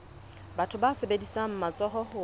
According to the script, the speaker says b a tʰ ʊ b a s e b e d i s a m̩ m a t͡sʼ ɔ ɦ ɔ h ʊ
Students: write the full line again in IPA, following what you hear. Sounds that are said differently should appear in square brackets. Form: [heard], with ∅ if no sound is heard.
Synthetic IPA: b a tʰ ʊ b a s e b e d i s a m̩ m a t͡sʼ ɔ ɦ ɔ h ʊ